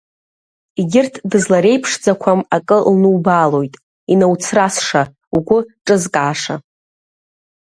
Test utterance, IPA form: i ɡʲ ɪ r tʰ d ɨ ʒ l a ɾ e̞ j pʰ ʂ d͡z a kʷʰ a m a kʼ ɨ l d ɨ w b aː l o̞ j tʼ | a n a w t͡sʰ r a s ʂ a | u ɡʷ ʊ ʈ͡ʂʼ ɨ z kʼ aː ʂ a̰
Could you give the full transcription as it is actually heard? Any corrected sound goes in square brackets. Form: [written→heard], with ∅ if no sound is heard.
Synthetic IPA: i ɡʲ ɪ r tʰ d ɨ [ʒ→z] l a ɾ e̞ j pʰ ʂ d͡z a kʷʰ a m a kʼ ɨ l [d→n] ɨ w b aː l o̞ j tʼ | [a→i] n a w t͡sʰ r a s ʂ a | u ɡʷ ʊ ʈ͡ʂʼ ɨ z kʼ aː ʂ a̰